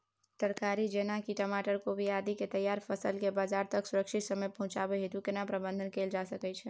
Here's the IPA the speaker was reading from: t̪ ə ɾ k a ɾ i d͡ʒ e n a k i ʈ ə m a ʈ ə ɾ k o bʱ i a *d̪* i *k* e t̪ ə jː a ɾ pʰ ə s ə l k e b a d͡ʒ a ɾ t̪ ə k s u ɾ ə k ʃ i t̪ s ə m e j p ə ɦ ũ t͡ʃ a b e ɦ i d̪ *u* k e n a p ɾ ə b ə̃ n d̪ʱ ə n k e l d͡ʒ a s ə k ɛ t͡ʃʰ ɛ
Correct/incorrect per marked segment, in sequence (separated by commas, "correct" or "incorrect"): correct, correct, correct